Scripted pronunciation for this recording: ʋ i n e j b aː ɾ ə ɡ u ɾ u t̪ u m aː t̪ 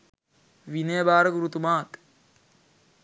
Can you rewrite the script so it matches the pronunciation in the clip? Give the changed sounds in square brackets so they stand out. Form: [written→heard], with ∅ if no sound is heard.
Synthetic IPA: ʋ i n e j b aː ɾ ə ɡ u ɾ u t̪ u m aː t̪